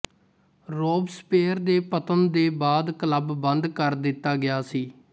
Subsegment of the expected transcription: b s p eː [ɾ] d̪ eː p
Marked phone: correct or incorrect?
correct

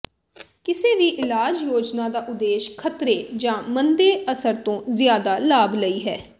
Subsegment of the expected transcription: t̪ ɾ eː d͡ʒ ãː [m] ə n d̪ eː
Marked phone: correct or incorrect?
correct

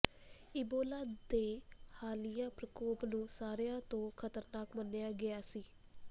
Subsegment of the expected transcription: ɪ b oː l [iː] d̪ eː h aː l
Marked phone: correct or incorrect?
incorrect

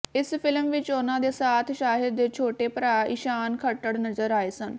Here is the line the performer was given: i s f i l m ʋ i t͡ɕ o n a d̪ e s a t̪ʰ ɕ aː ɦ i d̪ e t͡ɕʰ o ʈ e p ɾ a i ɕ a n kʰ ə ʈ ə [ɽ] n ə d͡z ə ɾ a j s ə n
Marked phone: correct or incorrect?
correct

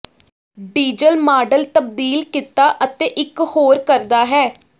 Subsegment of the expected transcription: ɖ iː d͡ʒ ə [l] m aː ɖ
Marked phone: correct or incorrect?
correct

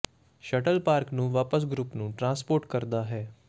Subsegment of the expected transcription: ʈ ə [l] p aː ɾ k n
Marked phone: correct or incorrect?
correct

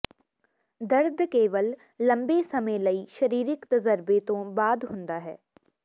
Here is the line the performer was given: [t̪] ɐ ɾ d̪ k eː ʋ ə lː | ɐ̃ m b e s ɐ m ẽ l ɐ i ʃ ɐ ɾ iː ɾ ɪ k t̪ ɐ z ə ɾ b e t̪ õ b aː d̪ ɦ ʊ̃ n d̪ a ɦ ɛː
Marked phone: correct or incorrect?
incorrect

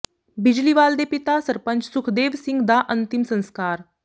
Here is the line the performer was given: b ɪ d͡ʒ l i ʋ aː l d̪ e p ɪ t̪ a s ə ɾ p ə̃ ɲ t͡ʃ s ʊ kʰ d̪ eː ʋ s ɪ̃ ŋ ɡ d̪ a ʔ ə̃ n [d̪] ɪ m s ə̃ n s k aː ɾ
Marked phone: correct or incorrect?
incorrect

